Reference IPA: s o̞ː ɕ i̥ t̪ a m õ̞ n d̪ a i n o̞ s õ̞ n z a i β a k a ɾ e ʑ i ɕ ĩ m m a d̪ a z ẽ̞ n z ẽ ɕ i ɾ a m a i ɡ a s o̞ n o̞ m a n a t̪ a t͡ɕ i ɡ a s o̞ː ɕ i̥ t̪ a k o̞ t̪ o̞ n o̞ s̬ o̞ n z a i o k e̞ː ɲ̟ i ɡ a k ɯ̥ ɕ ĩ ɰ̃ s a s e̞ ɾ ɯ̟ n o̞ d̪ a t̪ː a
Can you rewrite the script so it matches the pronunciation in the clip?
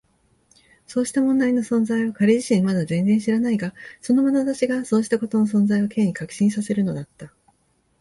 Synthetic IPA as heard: s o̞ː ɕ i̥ t̪ a m õ̞ n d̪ a i n o̞ s õ̞ n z a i β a k a ɾ e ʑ i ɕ ĩ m m a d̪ a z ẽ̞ n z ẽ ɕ i ɾ a n a i ɡ a s o̞ n o̞ m a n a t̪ a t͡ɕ i ɡ a s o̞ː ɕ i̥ t̪ a k o̞ t̪ o̞ n o̞ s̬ õ̞ n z a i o k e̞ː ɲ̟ i k a k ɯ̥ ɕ ĩ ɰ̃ s a s e̞ ɾ ɯ̟ n o̞ d̪ a t̪ː a